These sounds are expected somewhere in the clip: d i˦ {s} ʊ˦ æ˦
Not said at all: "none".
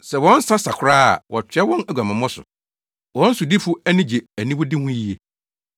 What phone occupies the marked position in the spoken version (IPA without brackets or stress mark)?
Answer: f